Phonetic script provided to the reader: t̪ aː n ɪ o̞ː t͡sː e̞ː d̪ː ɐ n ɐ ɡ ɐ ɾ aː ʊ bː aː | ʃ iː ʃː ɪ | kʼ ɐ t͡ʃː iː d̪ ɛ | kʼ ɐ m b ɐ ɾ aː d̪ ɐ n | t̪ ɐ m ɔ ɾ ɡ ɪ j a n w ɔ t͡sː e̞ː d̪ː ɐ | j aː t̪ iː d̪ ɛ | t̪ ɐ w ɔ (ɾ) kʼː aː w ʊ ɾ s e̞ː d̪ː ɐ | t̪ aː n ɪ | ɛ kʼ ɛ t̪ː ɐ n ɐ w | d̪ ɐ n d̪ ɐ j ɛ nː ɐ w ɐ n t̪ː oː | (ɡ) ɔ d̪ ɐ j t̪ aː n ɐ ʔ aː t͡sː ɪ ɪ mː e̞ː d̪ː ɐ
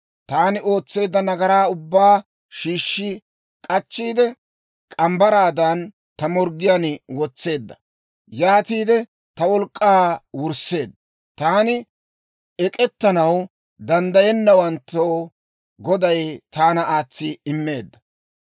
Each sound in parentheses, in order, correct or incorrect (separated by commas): incorrect, correct